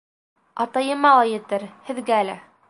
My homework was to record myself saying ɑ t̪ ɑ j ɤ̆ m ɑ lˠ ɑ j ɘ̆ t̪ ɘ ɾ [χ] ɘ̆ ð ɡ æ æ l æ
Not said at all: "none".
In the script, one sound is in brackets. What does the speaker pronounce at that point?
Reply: h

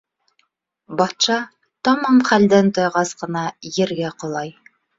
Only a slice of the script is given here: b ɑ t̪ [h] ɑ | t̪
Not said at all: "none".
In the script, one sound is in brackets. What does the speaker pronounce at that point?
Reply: ʃ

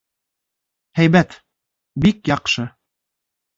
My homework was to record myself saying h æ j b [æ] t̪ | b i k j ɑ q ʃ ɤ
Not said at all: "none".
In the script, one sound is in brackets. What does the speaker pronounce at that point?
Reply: æ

